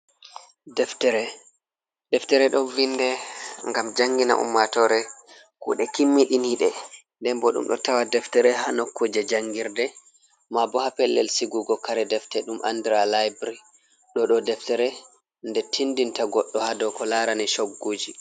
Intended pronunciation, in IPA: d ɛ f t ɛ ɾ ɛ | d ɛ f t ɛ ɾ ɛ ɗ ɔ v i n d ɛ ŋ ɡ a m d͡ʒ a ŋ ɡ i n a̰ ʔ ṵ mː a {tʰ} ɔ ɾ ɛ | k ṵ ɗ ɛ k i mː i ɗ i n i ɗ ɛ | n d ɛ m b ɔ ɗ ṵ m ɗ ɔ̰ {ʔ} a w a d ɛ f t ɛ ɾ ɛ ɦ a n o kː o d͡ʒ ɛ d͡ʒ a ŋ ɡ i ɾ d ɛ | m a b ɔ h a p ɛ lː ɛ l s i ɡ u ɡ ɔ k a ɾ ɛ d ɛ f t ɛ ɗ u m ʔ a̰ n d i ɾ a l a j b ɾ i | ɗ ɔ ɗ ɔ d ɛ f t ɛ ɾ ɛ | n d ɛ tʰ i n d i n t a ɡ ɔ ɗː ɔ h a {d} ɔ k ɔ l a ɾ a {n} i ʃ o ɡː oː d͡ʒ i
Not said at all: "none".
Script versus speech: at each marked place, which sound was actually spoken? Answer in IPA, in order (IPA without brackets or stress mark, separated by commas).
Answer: t, t, d, n